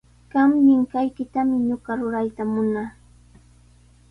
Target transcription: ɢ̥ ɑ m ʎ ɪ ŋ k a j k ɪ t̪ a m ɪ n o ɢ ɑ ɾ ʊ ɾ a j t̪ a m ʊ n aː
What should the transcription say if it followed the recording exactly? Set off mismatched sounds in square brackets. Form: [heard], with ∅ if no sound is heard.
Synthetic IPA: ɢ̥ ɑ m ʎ ɪ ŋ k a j k ɪ t̪ a m ɪ [ɲ] o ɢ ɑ ɾ ʊ ɾ a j t̪ a m ʊ n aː